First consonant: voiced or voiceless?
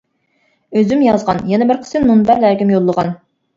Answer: voiced